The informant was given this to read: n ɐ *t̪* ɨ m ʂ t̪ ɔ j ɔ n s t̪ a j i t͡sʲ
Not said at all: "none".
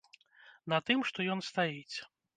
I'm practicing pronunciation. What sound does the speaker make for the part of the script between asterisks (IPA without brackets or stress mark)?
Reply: t̪